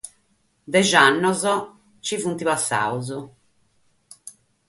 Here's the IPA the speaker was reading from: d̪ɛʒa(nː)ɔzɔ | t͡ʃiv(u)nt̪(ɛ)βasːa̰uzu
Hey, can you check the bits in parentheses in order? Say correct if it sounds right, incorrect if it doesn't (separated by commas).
correct, correct, incorrect